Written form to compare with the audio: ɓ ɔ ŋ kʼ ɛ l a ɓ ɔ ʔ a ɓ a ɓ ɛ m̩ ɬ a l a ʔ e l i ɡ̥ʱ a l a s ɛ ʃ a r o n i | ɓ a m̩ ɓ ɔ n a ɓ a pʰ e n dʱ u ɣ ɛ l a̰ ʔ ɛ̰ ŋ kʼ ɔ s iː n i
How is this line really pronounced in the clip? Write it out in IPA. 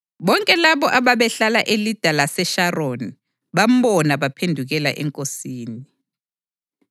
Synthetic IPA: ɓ ɔ ŋ kʼ ɛ l a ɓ ɔ ʔ a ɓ a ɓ ɛ ɬ a l a ʔ e l i d̥ʱ a l a s ɛ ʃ a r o n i | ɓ a m̩ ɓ ɔ n a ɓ a pʰ e n dʱ u ɣ ɛ l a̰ ʔ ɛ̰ ŋ kʼ o s iː n i